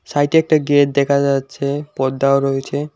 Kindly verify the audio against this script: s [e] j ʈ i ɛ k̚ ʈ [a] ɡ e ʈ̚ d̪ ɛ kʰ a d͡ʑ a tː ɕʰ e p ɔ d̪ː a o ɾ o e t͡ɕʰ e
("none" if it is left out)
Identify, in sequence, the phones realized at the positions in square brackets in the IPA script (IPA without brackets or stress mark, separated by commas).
a, a